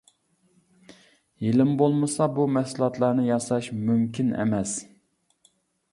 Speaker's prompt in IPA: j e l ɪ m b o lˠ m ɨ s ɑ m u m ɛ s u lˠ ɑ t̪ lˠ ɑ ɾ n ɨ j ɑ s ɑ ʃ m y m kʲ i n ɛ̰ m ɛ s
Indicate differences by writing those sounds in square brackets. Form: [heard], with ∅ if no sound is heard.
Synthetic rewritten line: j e l ɪ m b o lˠ m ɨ s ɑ [b] u m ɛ s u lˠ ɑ t̪ lˠ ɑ ɾ n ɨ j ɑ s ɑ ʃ m y m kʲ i n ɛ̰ m ɛ s

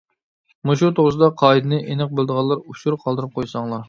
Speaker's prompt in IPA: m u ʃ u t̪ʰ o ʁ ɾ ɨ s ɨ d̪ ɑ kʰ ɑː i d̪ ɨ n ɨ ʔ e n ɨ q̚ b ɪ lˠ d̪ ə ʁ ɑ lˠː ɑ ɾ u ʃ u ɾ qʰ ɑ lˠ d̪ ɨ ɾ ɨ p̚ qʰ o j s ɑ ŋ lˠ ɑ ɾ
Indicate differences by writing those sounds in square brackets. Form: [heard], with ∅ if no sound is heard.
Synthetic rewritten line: m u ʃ u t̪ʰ o ʁ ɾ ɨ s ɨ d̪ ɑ [qʰ] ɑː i d̪ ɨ n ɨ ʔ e n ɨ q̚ b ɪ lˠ d̪ ə ʁ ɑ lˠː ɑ ɾ u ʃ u ɾ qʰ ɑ lˠ d̪ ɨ ɾ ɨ p̚ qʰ o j s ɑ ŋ lˠ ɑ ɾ

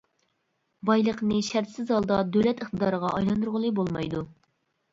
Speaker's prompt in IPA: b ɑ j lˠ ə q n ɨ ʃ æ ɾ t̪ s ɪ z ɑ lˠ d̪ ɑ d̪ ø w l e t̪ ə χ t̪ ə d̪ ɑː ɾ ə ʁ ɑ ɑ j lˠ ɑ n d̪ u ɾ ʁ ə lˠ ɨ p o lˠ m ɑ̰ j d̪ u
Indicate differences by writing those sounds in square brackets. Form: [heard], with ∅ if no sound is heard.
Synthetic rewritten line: b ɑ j lˠ ə q n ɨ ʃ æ ɾ t̪ s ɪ z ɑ lˠ d̪ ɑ d̪ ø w l [ɛ] t̪ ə χ t̪ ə d̪ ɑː ɾ ə ʁ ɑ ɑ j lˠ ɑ n d̪ u ɾ ʁ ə lˠ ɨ [b] o lˠ m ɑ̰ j d̪ u

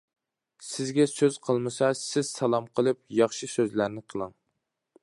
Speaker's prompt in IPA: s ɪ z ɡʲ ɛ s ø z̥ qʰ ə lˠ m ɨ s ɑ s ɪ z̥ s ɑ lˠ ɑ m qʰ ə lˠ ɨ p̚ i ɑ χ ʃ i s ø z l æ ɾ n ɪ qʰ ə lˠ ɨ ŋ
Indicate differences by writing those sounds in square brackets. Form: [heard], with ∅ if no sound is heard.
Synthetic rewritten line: s ɪ z ɡʲ ɛ s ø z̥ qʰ ə lˠ m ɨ s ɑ s ɪ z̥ s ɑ lˠ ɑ m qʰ ə lˠ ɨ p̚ [j] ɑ χ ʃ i s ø z l æ ɾ n ɪ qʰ ə lˠ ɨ ŋ

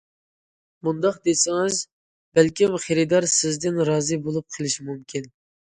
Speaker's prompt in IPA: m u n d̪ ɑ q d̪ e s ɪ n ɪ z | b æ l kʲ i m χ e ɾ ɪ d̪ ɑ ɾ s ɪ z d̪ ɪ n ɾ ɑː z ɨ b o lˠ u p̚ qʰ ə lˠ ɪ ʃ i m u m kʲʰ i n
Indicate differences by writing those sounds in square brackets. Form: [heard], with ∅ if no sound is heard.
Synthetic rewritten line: m u n d̪ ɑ q d̪ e s ɪ [ŋ] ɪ z | b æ l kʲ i m χ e ɾ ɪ d̪ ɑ ɾ s ɪ z d̪ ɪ n ɾ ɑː z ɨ b o lˠ u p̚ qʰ ə lˠ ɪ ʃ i m u m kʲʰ i n

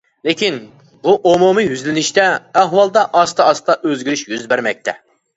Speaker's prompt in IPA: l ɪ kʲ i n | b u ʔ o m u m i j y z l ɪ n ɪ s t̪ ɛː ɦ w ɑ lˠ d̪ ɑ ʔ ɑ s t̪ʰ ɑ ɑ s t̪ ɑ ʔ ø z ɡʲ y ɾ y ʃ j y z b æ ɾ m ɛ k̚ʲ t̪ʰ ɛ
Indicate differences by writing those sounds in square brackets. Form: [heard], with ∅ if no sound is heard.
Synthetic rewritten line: l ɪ kʲ i n | b u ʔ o m u m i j y z l ɪ n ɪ [ʃ] t̪ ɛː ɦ w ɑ lˠ d̪ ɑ ʔ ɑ s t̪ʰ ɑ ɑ s t̪ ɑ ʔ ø z ɡʲ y ɾ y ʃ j y z b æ ɾ m ɛ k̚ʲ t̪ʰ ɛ

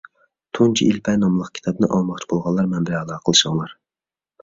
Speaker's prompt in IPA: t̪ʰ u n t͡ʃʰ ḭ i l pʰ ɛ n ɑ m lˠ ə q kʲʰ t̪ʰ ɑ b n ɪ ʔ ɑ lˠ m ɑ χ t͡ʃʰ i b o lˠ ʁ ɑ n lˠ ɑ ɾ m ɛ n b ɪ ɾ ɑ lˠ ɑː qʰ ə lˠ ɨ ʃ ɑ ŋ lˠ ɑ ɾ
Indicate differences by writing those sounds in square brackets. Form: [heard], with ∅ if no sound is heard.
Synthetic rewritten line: t̪ʰ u n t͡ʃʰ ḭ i l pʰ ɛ n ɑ m lˠ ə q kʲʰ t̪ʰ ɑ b n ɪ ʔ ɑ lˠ m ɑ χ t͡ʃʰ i b o lˠ ʁ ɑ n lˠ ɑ ɾ m ɛ n b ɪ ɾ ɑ lˠ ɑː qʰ ə lˠ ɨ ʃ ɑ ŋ lˠ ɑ ɾ

